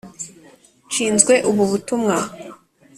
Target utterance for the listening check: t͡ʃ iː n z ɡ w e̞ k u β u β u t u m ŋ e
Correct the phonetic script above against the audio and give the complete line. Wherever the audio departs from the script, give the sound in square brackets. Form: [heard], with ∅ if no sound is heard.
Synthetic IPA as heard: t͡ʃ iː n z ɡ w e̞ [ʔ] u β u β u t u m ŋ [a]